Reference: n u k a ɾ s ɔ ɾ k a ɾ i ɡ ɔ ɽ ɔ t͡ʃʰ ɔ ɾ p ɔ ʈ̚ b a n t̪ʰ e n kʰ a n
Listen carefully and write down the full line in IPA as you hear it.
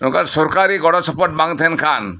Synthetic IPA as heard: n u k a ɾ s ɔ ɾ k a ɾ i ɡ ɔ ɽ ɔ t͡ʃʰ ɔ p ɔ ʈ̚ b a ŋ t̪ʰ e n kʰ a n